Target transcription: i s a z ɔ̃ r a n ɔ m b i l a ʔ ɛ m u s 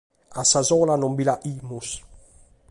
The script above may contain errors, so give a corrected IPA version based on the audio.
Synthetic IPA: a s a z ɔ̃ l a n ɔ m b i l a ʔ i m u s